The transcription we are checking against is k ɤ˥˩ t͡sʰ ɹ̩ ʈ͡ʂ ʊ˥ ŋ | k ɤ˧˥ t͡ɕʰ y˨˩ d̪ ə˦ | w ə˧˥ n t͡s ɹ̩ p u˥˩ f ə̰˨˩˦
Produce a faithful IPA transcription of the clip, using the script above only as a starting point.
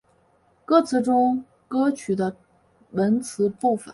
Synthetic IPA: k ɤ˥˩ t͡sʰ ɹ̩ ʈ͡ʂ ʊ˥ ŋ | k ɤ˥ t͡ɕʰ y˨˩ d̪ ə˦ | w ə˧˥ n t͡sʰ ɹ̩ p u˥˩ f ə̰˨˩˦